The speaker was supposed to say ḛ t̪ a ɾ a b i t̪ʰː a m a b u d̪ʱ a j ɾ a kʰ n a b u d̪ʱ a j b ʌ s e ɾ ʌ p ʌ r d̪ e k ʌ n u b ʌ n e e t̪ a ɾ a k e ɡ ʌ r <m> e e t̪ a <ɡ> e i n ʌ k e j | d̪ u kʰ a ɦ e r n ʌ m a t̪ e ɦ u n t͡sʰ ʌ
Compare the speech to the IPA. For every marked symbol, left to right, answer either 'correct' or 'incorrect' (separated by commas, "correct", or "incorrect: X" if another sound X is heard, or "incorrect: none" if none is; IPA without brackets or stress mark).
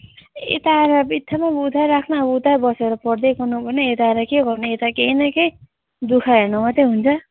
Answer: incorrect: n, incorrect: k